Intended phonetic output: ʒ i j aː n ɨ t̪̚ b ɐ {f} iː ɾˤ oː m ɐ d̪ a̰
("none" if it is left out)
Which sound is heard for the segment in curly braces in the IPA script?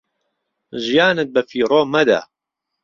f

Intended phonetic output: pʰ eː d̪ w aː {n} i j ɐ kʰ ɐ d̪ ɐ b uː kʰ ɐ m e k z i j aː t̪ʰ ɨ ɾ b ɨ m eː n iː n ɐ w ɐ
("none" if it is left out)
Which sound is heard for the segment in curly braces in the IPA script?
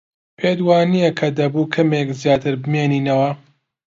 n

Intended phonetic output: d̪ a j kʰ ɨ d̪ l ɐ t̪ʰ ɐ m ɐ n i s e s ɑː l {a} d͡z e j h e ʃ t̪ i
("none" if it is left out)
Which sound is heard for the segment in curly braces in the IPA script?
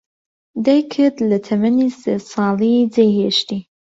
i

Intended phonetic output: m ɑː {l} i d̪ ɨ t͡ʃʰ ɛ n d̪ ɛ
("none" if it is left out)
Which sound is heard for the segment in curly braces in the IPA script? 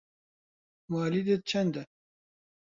l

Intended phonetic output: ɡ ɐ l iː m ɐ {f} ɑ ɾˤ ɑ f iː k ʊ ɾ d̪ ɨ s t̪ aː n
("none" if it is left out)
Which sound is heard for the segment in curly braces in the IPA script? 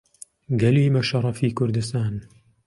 ʃ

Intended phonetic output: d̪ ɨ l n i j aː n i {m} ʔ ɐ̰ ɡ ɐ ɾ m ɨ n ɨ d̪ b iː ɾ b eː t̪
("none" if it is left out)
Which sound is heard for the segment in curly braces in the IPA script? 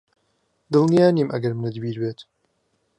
m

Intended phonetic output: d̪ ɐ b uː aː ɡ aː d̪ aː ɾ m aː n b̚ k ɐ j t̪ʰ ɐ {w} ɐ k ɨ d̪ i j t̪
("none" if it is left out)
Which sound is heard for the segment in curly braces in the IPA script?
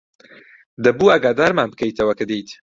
w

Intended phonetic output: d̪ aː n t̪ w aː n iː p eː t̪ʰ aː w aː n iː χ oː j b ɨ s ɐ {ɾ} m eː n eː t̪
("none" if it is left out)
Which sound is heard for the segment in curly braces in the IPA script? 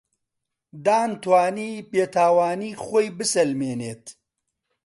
l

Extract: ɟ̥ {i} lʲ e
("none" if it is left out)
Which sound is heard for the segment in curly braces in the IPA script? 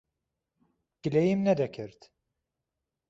i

